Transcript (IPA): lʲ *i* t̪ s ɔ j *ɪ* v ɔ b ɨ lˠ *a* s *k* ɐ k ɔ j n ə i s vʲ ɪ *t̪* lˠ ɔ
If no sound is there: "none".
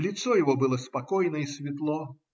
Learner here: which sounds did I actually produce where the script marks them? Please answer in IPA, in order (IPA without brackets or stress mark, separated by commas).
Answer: ɪ, ɪ, ə, p, t̪